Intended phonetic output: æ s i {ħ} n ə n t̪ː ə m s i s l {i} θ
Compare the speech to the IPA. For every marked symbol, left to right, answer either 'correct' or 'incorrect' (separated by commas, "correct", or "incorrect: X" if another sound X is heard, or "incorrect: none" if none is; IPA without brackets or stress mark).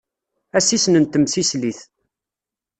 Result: incorrect: s, correct